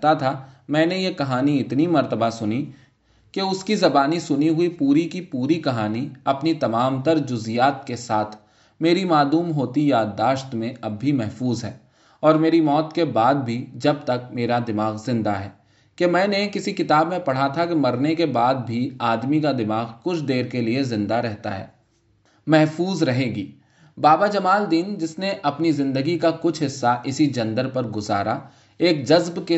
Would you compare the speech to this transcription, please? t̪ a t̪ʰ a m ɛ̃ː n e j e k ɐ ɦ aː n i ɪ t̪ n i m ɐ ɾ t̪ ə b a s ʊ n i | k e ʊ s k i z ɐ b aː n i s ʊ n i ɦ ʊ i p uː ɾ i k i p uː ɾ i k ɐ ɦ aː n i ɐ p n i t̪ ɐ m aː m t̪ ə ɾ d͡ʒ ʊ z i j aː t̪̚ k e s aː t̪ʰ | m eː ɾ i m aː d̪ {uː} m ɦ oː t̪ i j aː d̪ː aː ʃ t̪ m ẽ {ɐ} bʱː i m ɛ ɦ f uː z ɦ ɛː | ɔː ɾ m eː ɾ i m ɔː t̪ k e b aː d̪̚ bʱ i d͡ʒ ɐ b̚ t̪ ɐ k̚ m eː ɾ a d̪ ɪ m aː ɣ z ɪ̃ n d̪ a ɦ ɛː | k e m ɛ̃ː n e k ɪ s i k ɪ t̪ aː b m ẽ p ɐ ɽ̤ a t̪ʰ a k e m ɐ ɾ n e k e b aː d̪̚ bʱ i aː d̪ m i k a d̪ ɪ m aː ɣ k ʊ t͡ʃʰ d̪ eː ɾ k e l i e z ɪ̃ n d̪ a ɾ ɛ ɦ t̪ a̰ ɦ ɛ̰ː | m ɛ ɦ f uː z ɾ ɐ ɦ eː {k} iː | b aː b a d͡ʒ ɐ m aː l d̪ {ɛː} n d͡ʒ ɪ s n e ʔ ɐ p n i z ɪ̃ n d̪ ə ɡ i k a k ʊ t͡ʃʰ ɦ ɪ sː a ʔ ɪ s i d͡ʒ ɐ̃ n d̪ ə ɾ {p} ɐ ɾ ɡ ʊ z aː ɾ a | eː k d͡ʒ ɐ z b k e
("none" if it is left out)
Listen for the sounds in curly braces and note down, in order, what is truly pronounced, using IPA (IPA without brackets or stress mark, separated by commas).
uː, ɐ, ɡ, iː, p